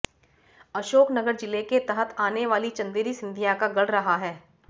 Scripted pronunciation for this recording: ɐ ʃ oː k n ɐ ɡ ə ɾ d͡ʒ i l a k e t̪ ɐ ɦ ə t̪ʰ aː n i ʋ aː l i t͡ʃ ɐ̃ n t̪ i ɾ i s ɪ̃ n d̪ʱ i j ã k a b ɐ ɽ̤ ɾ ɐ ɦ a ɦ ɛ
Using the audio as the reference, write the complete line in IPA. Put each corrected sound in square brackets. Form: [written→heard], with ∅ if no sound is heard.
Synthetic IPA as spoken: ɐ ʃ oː k n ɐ ɡ ə ɾ d͡ʒ [i→ɪ] l [a→e] k e t̪ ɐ ɦ ə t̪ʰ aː n [i→e] ʋ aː l i t͡ʃ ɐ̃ n [t̪→d̪] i ɾ i s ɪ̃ n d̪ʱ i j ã k a [b→ɡ] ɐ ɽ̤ ɾ ɐ ɦ a ɦ [ɛ→ɛː]

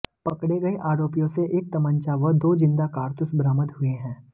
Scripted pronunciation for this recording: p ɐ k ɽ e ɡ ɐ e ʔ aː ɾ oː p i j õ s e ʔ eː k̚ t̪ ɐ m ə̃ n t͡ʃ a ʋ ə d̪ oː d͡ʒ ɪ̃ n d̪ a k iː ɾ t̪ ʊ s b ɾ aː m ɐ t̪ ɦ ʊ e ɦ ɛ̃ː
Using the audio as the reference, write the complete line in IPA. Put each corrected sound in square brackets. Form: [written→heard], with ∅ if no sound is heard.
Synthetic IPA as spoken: p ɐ k ɽ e ɡ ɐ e ʔ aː ɾ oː p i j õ s e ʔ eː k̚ t̪ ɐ m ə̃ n t͡ʃ a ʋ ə d̪ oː d͡ʒ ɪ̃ n d̪ a k [iː→aː] ɾ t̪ ʊ s b ɾ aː m [ɐ→ə] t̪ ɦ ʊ e ɦ ɛ̃ː

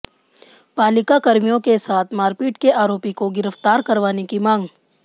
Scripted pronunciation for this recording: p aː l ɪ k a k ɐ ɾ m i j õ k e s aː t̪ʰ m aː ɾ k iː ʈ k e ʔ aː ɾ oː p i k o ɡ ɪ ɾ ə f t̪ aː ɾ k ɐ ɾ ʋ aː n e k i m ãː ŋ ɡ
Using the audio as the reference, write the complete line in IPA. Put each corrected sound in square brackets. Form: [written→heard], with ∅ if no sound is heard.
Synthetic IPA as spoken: p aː l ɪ k a k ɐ ɾ m i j õ k e s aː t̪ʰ m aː ɾ [k→p] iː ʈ k e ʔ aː ɾ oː p i k o ɡ ɪ ɾ ə f t̪ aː ɾ k ɐ ɾ ʋ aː n e k i m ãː ŋ ɡ

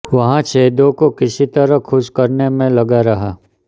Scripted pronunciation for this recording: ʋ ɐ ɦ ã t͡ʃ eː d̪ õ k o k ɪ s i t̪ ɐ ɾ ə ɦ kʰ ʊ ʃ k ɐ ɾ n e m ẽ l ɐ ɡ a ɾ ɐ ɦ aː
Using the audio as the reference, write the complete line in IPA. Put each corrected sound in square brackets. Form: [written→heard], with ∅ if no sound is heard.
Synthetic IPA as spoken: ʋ ɐ ɦ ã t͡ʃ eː d̪ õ k o k ɪ s i t̪ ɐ ɾ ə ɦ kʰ ʊ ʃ k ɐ ɾ n e m ẽ l ɐ ɡ a ɾ ɐ ɦ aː

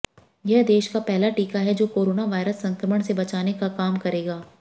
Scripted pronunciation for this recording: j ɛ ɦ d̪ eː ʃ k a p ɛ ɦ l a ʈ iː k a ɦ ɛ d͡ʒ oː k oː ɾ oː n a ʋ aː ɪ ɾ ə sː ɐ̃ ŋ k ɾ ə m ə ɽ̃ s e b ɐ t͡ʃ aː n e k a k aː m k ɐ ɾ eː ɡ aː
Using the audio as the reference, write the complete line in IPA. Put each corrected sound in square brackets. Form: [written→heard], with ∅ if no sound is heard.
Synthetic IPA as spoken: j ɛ ɦ d̪ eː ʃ k a p ɛ ɦ l a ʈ iː k a ɦ ɛ d͡ʒ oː k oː ɾ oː n a ʋ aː ɪ ɾ ə sː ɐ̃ ŋ k ɾ ə m ə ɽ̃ s e b ɐ t͡ʃ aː n e k a k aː m k ɐ ɾ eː ɡ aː

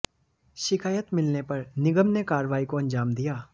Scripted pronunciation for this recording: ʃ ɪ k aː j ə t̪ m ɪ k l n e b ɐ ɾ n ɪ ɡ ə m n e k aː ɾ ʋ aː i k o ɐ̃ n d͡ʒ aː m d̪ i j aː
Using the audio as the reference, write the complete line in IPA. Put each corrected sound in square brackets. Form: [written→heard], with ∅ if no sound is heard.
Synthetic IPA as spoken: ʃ ɪ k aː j ə t̪ m ɪ [k→∅] l n e [b→p] ɐ ɾ n ɪ ɡ ə m n e k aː ɾ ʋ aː i k o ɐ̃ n d͡ʒ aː m d̪ i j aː

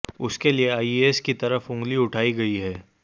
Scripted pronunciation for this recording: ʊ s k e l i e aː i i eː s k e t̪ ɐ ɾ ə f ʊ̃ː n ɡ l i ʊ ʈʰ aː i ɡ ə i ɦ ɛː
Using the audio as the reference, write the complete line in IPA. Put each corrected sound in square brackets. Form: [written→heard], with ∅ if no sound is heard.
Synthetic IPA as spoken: ʊ s k e l i e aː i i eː s k [e→i] t̪ ɐ ɾ ə f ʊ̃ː [n→ŋ] ɡ l i ʊ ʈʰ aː i ɡ [ə→ɐ] i ɦ ɛː

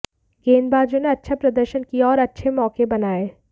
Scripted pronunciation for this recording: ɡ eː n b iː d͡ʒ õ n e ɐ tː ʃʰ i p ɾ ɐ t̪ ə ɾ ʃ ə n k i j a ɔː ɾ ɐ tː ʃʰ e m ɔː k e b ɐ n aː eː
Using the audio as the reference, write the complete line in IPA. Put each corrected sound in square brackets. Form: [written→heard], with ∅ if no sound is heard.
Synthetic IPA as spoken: ɡ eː n b [iː→aː] d͡ʒ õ n e ɐ tː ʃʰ [i→a] p ɾ ɐ [t̪→d̪] ə ɾ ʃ ə n k i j a ɔː ɾ ɐ tː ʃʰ e m ɔː k e b ɐ n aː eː

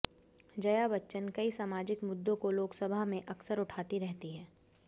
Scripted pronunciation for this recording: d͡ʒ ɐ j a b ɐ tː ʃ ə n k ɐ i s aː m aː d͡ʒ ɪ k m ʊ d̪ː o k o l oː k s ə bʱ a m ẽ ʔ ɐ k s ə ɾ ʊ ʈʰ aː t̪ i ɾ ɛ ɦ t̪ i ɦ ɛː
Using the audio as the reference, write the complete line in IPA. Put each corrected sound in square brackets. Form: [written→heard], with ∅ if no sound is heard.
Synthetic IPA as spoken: d͡ʒ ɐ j a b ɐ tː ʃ ə n k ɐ i s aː m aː d͡ʒ ɪ k m ʊ d̪ː [o→õ] k o l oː k s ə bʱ a m ẽ ʔ ɐ k s ə ɾ ʊ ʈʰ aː t̪ i ɾ ɛ ɦ t̪ i ɦ ɛː

